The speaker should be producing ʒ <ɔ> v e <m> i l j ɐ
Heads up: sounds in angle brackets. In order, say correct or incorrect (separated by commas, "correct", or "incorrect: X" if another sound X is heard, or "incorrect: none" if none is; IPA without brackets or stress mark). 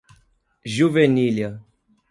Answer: incorrect: u, incorrect: n